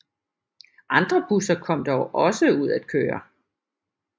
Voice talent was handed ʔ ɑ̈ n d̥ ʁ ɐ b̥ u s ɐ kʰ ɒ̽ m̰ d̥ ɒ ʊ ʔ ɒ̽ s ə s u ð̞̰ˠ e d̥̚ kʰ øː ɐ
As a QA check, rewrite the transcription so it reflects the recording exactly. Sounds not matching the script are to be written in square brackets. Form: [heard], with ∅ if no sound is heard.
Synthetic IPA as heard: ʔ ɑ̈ n d̥ ʁ ɐ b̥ u s ɐ kʰ ɒ̽ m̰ d̥ ɒ ʊ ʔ ɒ̽ s ə [∅] u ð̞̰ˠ [æ] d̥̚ kʰ øː ɐ

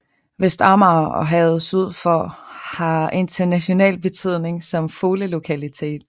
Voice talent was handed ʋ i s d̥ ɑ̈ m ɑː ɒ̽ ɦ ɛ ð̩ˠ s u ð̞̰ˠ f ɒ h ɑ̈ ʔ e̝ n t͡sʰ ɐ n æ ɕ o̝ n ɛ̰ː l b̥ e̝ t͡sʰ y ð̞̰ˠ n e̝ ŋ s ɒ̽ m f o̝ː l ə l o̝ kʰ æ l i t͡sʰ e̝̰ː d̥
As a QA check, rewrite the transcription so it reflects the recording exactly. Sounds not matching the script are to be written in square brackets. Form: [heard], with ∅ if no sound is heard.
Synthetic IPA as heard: ʋ [e] s d̥ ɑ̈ m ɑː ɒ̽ ɦ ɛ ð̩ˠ s u ð̞̰ˠ f ɒ h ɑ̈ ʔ e̝ n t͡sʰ ɐ n æ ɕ o̝ n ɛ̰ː l b̥ e̝ t͡sʰ y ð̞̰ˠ n e̝ ŋ s ɒ̽ m f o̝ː l ə l o̝ kʰ æ l i t͡sʰ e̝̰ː d̥

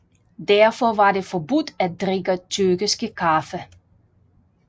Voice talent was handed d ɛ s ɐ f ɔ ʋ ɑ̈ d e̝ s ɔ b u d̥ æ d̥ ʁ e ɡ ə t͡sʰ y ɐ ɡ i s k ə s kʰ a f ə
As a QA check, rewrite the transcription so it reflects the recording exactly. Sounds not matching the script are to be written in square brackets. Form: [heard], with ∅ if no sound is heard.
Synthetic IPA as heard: d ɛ [∅] ɐ f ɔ ʋ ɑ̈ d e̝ [f] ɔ b u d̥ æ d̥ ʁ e ɡ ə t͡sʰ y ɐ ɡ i s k ə [∅] kʰ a f ə

